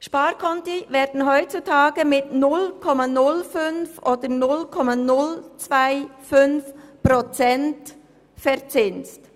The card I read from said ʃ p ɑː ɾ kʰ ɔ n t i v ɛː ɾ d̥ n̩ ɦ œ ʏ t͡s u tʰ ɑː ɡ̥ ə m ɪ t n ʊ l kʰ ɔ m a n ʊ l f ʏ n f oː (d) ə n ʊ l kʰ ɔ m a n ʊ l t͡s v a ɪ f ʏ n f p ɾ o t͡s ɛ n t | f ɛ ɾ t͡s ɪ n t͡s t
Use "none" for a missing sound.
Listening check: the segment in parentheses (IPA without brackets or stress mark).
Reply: d